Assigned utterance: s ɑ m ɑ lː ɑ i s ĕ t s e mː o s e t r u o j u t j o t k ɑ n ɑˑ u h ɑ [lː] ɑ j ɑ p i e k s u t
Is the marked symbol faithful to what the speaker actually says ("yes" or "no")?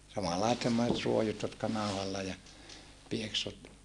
yes